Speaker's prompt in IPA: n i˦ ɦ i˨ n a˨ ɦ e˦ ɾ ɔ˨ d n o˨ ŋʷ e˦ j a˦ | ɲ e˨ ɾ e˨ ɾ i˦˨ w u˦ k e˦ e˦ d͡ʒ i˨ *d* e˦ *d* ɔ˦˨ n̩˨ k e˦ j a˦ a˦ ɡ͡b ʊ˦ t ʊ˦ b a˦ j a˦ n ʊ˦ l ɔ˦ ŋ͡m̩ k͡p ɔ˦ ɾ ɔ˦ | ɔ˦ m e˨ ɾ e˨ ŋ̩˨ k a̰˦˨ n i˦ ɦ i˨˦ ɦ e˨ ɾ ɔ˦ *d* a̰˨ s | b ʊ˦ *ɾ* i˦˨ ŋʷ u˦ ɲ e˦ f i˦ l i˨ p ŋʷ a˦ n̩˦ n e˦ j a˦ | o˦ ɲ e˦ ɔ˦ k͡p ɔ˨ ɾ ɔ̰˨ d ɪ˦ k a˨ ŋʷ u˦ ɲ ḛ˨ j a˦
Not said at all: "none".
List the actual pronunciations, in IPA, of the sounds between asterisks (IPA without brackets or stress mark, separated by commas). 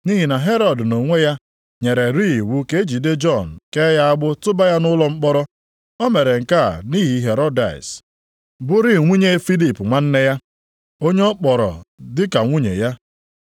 d, d͡ʒ, d, ɾ